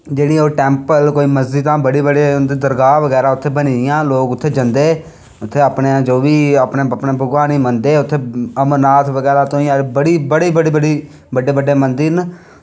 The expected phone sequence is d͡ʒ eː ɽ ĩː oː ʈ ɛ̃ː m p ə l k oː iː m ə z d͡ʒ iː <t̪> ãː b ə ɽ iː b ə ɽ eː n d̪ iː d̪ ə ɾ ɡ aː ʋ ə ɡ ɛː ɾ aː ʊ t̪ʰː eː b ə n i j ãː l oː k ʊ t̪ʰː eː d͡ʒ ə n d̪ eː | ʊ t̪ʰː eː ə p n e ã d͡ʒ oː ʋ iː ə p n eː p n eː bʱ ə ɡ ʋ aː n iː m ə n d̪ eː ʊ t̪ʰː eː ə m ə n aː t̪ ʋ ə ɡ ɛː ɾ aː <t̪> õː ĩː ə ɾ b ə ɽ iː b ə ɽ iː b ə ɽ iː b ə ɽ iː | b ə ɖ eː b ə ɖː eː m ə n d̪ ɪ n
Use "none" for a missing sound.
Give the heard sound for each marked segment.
t̪, t̪

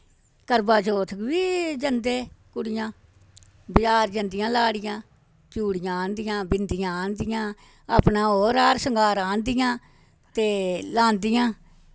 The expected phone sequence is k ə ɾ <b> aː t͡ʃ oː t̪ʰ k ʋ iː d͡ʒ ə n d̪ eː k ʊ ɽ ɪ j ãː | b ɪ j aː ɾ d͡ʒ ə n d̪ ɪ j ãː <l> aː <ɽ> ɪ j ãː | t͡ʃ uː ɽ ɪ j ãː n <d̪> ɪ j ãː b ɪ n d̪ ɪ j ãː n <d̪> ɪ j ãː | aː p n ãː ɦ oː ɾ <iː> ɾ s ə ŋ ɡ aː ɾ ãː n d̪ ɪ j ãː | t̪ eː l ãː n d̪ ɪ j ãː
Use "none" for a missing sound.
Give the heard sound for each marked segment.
b, l, ɽ, d̪, d̪, aː

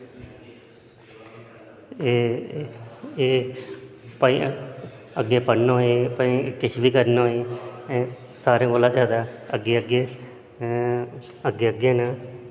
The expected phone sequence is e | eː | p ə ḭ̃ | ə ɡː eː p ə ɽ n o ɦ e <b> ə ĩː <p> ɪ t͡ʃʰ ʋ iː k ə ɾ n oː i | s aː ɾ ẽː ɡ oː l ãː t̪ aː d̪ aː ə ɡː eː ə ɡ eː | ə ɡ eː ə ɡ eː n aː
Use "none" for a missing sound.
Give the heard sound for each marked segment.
p, k

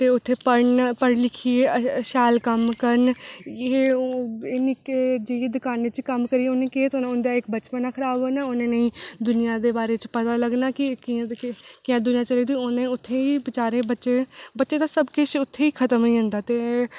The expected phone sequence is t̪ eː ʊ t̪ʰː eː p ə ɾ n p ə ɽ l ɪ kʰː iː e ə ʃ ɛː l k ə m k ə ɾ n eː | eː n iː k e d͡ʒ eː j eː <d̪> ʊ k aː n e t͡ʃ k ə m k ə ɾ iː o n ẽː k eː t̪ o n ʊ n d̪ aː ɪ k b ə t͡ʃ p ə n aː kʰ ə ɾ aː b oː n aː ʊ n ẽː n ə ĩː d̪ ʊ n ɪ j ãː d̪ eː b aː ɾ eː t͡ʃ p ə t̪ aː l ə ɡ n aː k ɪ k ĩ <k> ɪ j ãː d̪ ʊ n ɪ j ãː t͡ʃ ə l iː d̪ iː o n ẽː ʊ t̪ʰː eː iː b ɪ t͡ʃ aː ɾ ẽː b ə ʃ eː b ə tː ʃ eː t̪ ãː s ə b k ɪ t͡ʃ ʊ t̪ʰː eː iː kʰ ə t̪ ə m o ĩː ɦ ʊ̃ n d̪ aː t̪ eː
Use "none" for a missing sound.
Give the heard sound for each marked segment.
d̪, k

